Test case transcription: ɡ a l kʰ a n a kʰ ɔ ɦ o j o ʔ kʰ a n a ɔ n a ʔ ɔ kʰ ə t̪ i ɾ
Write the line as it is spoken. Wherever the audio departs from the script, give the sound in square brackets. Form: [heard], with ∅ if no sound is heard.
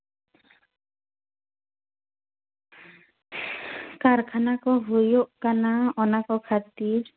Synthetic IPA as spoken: [k] a [ɾ] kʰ a n a [k] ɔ ɦ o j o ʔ [k] a n a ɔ n a [k] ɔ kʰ [a] t̪ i ɾ